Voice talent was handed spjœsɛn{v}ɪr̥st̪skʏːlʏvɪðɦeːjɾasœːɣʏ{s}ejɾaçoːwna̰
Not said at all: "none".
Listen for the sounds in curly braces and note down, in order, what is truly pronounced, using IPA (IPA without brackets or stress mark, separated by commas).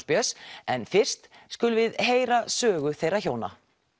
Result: f, θ